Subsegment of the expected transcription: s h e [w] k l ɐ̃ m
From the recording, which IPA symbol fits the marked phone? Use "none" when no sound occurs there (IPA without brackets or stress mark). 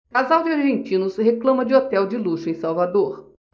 none